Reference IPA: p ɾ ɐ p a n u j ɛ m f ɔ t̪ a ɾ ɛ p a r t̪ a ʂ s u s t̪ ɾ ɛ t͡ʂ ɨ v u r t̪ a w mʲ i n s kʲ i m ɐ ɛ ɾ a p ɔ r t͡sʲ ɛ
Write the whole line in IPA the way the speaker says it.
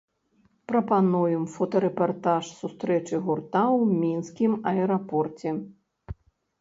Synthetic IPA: p ɾ ɐ p a n u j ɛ m f ɔ t̪ ɐ ɾ ɛ p a r t̪ a ʂ s u s t̪ ɾ ɛ t͡ʂ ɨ ɣ u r t̪ a w mʲ i n s kʲ i m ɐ ɛ ɾ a p ɔ r t͡sʲ ɛ